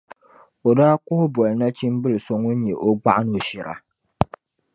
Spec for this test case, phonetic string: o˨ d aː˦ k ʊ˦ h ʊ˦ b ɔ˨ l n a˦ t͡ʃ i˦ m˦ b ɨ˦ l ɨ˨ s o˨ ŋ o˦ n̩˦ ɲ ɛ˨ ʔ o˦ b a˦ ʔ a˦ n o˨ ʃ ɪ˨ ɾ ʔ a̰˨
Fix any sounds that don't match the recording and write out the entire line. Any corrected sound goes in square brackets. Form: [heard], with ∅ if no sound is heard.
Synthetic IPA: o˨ d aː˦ k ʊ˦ h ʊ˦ b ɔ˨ l n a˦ t͡ʃ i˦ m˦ b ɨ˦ l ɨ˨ s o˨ ŋ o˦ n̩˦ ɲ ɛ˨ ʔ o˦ [ɡ͡b] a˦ ʔ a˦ n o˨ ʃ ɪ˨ ɾ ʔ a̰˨